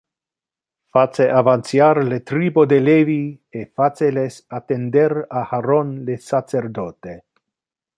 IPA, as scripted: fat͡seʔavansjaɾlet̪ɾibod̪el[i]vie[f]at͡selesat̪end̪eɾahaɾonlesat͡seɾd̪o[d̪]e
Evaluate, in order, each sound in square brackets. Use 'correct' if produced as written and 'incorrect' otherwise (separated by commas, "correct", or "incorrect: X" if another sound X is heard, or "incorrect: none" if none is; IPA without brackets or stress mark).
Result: incorrect: e, correct, incorrect: t̪